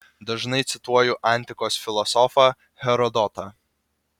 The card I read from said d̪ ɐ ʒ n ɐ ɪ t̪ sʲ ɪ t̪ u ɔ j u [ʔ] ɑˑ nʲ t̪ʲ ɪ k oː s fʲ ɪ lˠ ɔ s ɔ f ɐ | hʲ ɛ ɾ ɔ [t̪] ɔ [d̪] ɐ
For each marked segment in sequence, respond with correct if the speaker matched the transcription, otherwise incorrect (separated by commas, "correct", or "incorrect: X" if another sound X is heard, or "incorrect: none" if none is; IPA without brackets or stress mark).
correct, incorrect: d̪, incorrect: t̪